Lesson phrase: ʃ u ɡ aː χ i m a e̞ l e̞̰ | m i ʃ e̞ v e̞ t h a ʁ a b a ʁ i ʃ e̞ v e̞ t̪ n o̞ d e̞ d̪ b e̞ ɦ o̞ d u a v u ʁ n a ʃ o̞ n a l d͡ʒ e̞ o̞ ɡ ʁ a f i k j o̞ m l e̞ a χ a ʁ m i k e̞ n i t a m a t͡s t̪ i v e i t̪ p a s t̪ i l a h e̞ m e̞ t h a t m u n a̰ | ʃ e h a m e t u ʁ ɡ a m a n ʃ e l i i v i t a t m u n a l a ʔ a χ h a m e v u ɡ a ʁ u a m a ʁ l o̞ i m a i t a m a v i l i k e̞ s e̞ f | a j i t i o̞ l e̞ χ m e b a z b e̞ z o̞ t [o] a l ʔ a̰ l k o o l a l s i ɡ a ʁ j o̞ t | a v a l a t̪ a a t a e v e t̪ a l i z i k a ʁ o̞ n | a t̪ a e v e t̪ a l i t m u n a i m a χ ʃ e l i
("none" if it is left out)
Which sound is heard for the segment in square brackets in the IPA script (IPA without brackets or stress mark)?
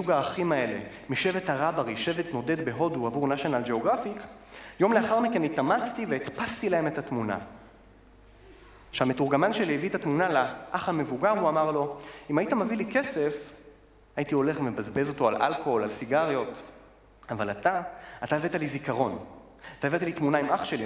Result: o